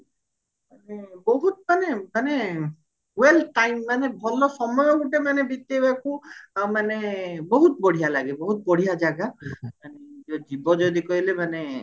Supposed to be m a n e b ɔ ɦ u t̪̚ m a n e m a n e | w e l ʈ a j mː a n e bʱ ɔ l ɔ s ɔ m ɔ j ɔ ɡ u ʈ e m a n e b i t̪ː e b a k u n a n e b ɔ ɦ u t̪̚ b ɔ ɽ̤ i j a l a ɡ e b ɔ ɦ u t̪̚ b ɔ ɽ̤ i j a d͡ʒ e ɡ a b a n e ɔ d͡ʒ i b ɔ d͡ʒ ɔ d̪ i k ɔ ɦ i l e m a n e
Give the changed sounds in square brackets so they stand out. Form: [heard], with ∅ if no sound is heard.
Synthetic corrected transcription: m a n e b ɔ ɦ u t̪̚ m a n e m a n e | w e l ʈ a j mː a n e bʱ ɔ l ɔ s ɔ m ɔ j ɔ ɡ u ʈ e m a n e b i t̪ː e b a k u [m] a n e b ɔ ɦ u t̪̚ b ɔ ɽ̤ i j a l a ɡ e b ɔ ɦ u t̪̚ b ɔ ɽ̤ i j a d͡ʒ [a] ɡ a [m] a n e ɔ d͡ʒ i b ɔ d͡ʒ ɔ d̪ i k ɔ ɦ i l e m a n e

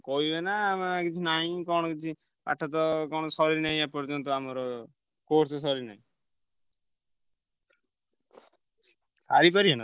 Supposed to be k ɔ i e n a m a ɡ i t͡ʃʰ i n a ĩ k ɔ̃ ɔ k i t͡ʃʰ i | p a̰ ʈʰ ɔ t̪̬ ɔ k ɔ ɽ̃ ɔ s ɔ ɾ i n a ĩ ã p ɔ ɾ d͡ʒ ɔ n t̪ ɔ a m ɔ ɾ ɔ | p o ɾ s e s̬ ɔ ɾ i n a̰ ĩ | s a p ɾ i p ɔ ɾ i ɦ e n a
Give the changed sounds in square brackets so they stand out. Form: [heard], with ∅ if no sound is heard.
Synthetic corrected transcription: k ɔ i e n a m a [k] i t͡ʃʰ i n a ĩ k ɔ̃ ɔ k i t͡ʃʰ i | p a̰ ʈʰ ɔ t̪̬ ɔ k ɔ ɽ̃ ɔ s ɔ ɾ i n a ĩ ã p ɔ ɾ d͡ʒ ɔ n t̪ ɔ a m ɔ ɾ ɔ | [k] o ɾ s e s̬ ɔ ɾ i n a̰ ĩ | s a [∅] ɾ i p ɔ ɾ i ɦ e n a

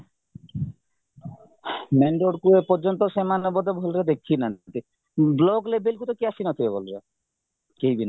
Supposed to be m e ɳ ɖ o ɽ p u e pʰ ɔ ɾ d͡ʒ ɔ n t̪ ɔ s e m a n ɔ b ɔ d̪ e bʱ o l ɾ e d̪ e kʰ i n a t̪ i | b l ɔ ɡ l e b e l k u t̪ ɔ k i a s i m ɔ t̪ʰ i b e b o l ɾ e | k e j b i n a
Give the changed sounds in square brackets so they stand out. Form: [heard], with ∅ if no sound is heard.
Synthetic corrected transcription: m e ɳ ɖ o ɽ [k] u e [p] ɔ ɾ d͡ʒ ɔ n t̪ ɔ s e m a n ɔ b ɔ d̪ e bʱ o l ɾ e d̪ e kʰ i n a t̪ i | b l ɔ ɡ l e b e l k u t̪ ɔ k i a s i [n] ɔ t̪ʰ i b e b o l ɾ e | k e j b i n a

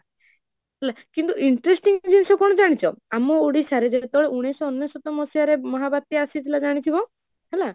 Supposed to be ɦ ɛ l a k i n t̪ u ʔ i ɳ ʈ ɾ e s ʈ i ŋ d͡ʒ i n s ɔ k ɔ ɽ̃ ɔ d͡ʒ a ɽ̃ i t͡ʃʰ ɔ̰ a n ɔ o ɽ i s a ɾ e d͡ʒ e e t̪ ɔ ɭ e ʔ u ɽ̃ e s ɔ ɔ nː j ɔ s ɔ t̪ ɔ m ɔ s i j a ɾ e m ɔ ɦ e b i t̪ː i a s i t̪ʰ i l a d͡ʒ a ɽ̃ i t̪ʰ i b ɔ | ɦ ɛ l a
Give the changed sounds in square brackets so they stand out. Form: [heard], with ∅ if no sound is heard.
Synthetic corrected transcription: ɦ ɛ l a k i n t̪ u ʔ i ɳ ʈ ɾ e s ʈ i ŋ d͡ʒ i n s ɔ k ɔ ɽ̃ ɔ d͡ʒ a ɽ̃ i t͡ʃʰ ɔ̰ a [m] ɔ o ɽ i s a ɾ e d͡ʒ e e t̪ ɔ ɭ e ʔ u ɽ̃ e s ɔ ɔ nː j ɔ s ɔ t̪ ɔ m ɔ s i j a ɾ e m ɔ ɦ [a] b [a] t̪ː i a s i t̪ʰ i l a d͡ʒ a ɽ̃ i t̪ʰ i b ɔ | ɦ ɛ l a

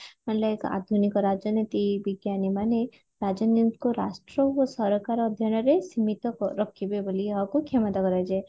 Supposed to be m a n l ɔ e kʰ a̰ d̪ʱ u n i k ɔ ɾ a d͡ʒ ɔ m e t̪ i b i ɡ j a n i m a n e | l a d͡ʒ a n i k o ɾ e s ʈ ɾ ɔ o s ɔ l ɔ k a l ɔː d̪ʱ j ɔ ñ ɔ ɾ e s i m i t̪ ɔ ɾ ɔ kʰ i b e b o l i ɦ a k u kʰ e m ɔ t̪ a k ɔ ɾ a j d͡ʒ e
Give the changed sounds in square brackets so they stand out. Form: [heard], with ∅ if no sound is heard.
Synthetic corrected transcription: m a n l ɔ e [k] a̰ d̪ʱ u n i k ɔ ɾ a d͡ʒ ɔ [n] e t̪ i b i ɡ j a n i m a n e | [ɾ] a d͡ʒ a n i k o ɾ [a] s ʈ ɾ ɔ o s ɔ [ɾ] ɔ k a [ɾ] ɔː d̪ʱ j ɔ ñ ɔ ɾ e s i m i t̪ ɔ ɾ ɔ kʰ i b e b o l i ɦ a k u kʰ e m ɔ t̪ a k ɔ ɾ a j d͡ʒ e

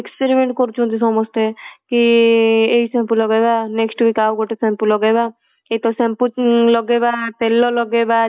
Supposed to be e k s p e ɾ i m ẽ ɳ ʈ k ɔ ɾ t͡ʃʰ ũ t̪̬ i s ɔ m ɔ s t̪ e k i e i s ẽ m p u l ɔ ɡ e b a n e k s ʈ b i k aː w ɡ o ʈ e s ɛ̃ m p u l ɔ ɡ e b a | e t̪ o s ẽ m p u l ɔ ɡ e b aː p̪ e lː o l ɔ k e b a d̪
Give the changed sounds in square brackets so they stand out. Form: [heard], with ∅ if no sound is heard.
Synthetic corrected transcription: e k s p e ɾ i m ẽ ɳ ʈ k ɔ ɾ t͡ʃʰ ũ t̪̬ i s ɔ m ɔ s t̪ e k i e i s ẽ m p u l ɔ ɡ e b a n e k s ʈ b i k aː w ɡ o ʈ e s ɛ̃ m p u l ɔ ɡ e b a | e t̪ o s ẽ m p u l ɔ ɡ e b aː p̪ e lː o l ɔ [ɡ] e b a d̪

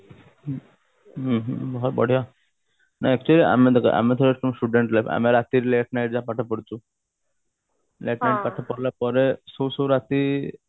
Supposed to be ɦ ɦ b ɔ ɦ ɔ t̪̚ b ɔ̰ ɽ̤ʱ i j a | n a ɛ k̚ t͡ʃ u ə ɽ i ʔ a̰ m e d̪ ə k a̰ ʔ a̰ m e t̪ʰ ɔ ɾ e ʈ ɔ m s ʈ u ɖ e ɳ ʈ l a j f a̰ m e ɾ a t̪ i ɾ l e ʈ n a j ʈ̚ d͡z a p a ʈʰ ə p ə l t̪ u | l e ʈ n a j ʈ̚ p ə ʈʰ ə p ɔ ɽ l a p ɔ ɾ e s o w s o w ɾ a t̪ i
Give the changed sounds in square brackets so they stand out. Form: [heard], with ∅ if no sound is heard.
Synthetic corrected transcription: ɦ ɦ b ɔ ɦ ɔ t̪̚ b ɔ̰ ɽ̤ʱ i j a | n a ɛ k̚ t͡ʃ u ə [l] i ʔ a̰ m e d̪ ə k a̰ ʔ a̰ m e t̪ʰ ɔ ɾ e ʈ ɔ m s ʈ u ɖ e ɳ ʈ l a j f a̰ m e ɾ a t̪ i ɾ l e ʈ n a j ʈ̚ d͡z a p a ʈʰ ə p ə [ɽ] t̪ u | l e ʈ n a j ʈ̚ p [a] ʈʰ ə p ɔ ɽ l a p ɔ ɾ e s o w s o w ɾ a t̪ i

